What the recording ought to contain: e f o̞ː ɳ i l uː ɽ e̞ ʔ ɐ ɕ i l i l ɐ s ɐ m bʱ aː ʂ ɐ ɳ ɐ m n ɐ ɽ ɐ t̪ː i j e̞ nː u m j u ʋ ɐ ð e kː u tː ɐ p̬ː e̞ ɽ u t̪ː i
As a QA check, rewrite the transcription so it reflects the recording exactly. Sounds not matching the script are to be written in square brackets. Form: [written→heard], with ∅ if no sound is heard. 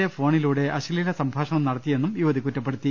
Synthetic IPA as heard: e f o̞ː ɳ i l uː ɽ e̞ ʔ ɐ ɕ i l i l ɐ s ɐ m bʱ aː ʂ ɐ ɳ ɐ m n ɐ ɽ ɐ t̪ː i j e̞ nː u m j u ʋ ɐ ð [e→i] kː u tː ɐ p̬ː e̞ ɽ u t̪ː i